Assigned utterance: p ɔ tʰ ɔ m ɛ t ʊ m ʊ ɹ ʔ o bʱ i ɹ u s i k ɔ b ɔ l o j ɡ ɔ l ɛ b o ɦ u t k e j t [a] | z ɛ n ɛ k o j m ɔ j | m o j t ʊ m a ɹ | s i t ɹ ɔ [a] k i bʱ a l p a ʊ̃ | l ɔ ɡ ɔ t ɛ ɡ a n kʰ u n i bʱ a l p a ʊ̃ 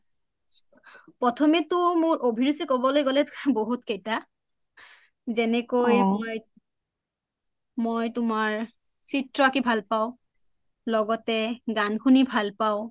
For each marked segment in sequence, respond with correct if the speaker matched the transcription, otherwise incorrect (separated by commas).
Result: correct, correct